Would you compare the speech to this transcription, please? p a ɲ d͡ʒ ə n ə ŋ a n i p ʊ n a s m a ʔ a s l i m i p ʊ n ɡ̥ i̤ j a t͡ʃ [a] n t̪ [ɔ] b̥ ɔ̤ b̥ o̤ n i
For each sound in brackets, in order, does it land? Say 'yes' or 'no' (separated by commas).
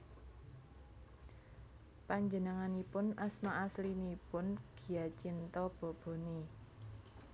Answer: no, yes